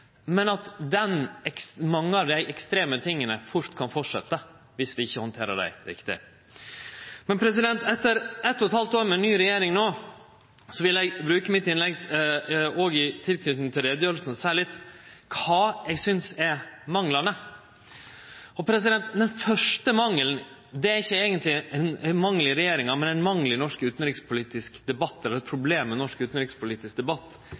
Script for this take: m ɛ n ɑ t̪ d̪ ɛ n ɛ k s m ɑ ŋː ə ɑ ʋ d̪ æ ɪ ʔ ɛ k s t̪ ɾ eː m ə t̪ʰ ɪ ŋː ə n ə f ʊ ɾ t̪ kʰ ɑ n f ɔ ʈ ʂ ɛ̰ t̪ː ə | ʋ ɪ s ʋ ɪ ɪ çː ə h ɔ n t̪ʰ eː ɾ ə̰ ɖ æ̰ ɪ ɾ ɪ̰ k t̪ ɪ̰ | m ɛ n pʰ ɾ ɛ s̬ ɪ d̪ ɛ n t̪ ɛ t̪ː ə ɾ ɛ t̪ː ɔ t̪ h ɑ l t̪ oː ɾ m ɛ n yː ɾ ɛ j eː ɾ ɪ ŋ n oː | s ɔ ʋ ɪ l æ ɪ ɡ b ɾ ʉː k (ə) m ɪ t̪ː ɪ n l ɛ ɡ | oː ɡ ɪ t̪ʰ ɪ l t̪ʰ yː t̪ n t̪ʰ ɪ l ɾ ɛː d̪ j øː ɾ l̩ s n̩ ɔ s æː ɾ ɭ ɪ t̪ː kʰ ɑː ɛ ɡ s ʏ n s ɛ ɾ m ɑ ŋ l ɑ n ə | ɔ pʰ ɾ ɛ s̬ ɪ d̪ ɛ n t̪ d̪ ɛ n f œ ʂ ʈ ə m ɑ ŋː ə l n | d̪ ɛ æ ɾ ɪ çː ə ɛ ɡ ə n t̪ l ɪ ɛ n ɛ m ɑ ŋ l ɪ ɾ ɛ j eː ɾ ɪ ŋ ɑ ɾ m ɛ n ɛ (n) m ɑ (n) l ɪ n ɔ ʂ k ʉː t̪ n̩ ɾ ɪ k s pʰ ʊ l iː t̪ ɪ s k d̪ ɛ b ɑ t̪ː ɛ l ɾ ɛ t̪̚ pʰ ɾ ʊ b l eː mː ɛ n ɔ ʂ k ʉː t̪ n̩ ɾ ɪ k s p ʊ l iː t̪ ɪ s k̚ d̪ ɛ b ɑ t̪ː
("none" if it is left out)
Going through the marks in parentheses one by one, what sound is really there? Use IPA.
ə, n, ŋ

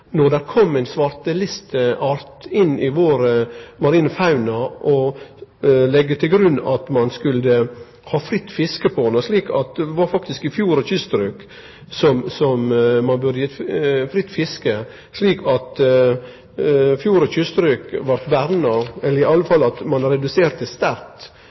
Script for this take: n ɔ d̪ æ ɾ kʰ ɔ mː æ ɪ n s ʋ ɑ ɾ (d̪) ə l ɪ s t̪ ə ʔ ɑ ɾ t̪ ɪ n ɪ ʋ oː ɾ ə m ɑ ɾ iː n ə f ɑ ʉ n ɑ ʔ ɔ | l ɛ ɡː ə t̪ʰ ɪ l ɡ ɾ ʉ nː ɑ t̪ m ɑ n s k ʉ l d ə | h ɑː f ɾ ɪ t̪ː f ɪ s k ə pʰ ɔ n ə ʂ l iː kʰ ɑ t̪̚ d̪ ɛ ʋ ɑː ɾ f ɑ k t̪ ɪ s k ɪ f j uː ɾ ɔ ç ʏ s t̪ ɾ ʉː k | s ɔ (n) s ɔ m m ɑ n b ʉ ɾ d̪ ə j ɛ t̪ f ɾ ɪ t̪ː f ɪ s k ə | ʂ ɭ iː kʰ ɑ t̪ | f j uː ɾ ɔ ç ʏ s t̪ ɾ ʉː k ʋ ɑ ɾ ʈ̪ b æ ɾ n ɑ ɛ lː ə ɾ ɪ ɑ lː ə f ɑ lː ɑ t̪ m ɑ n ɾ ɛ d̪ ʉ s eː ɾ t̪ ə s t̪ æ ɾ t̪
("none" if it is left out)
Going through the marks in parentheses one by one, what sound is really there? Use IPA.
t̪, m

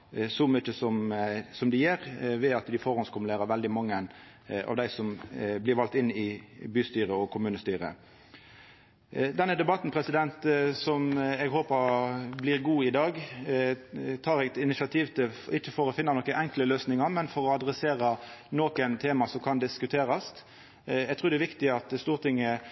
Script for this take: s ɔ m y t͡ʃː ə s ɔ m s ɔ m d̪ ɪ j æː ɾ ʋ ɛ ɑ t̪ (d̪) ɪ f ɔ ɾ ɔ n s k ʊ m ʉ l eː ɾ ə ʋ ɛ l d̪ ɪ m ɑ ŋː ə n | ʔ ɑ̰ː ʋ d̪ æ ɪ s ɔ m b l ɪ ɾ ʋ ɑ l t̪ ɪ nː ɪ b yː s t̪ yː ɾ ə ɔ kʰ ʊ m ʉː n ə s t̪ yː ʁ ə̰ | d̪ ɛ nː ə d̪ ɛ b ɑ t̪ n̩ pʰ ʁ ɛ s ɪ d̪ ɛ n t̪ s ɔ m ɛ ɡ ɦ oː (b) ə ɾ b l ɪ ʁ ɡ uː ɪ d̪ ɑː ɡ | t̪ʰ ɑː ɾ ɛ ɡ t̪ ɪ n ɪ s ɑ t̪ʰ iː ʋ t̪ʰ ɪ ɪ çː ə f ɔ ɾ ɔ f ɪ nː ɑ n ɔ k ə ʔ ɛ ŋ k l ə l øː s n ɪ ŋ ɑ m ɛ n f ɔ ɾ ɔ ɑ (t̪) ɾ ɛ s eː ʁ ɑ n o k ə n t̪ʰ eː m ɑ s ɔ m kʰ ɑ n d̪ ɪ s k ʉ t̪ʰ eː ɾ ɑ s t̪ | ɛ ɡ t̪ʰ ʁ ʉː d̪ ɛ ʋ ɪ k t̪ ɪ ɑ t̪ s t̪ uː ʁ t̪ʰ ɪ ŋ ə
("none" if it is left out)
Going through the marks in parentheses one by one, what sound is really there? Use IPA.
d̪, p, d̪

